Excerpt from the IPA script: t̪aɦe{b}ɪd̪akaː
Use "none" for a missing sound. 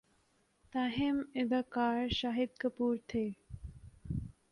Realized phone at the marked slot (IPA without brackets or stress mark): m